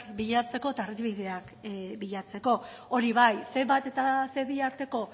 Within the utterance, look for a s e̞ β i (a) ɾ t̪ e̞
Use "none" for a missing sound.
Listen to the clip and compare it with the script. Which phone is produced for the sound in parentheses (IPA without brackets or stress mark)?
a